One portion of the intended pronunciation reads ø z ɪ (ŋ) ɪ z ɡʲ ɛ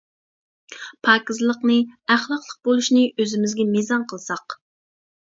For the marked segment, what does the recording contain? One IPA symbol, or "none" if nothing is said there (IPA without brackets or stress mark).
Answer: m